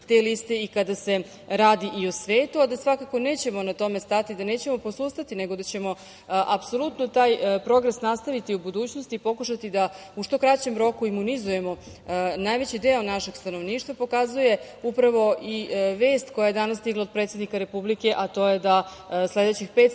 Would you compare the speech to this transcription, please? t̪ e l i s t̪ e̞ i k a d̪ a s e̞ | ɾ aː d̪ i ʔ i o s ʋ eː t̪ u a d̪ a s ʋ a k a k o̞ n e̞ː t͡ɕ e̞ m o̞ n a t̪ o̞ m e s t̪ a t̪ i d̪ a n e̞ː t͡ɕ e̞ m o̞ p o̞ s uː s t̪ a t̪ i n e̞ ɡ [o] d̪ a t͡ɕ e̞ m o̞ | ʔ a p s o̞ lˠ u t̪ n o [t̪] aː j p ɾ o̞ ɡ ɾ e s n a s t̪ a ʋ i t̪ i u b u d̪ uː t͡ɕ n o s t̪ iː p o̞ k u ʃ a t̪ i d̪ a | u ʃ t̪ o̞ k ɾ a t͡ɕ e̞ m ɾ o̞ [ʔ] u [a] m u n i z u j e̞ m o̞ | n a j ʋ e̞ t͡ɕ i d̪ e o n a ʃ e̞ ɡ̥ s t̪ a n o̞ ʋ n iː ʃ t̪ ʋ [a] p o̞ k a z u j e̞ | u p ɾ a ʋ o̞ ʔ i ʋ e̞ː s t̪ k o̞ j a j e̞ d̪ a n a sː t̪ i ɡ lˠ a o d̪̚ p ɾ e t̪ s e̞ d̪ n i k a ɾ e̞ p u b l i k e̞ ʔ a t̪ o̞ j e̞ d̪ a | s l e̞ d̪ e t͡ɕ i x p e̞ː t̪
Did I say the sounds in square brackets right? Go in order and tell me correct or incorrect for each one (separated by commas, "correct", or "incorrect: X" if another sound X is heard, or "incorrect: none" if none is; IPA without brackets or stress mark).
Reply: correct, correct, incorrect: k, incorrect: i, correct